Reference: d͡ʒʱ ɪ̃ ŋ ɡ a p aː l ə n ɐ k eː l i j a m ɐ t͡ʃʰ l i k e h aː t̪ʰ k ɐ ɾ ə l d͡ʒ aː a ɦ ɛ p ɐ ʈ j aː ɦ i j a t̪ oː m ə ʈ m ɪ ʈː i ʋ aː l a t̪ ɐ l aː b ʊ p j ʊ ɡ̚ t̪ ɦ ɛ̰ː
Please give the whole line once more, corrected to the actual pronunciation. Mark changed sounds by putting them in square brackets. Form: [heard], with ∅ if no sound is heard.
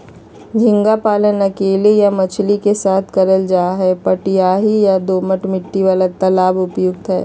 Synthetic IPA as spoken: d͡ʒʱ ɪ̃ ŋ ɡ a p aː l ə n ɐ k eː l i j a m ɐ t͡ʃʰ l i k e [s] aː t̪ʰ k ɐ ɾ ə l d͡ʒ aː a ɦ ɛ p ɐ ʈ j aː ɦ i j a [d̪] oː m ə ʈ m ɪ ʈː i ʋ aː l a t̪ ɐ l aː b ʊ p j ʊ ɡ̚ t̪ ɦ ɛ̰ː

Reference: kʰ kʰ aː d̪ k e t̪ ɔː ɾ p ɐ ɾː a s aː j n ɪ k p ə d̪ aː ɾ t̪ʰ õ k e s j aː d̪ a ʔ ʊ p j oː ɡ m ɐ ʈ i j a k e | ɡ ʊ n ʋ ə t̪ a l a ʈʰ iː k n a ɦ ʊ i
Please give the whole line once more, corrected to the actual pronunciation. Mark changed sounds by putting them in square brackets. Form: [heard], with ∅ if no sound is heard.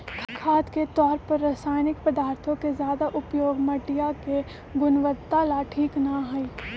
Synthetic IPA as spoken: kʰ kʰ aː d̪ k e t̪ ɔː ɾ p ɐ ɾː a s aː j n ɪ k p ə d̪ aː ɾ t̪ʰ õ k e [z] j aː d̪ a ʔ ʊ p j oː ɡ m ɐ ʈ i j a k e | ɡ ʊ n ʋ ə t̪ a l a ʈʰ iː k n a ɦ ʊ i

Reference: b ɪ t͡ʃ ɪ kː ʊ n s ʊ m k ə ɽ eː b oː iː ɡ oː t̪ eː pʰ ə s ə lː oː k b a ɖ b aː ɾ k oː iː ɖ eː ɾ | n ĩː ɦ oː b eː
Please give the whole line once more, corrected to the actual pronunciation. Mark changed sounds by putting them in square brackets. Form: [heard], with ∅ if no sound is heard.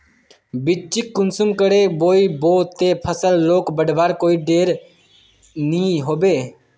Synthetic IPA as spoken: b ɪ t͡ʃ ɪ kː ʊ n s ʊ m k ə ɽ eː b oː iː [b] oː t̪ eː pʰ ə s ə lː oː k b [ə] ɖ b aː ɾ k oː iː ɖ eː ɾ | n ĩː ɦ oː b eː

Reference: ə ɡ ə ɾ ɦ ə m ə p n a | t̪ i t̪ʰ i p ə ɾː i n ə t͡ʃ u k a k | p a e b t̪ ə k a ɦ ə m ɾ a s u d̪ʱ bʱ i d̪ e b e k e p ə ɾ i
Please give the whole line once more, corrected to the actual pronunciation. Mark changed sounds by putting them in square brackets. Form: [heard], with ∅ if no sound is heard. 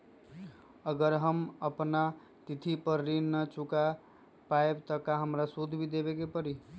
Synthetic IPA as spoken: ə ɡ ə ɾ ɦ ə m ə p n a | t̪ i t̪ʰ i p ə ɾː i n ə t͡ʃ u k a [∅] | p a e b t̪ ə k a ɦ ə m ɾ a s u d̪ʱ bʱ i d̪ e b e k e p ə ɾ i

